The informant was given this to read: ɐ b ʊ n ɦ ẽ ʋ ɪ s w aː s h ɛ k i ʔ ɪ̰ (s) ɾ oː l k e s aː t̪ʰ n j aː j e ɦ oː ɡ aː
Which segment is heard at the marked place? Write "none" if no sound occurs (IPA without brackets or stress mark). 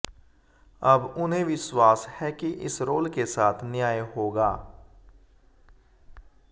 s